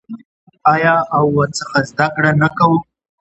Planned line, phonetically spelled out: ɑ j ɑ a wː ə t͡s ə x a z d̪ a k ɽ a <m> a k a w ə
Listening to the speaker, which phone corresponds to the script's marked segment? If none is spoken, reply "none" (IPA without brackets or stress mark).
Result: n